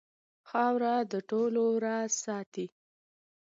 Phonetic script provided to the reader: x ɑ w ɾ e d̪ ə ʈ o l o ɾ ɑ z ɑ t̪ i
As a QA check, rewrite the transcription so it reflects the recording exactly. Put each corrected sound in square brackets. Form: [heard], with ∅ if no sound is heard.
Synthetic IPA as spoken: x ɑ w ɾ [a] d̪ ə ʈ o l o ɾ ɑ [s] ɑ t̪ i